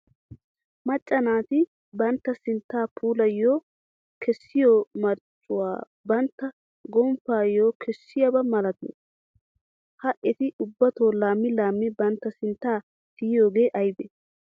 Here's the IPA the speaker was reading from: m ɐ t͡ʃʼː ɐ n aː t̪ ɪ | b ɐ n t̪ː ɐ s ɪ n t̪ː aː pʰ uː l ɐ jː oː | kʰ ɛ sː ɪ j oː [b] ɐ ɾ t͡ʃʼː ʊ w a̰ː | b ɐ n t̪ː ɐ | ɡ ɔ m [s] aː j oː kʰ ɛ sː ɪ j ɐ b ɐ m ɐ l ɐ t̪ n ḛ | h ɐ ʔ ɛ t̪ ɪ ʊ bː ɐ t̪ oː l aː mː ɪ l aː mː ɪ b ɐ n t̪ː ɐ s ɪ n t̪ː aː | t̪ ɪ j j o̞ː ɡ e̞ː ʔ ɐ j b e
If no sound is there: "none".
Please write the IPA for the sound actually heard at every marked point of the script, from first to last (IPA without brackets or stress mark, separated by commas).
m, f